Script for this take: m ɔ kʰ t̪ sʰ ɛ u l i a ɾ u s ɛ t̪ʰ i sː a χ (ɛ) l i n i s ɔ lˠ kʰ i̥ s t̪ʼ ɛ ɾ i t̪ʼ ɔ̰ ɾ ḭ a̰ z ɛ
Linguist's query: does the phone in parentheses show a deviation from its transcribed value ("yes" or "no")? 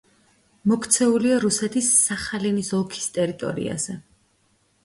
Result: yes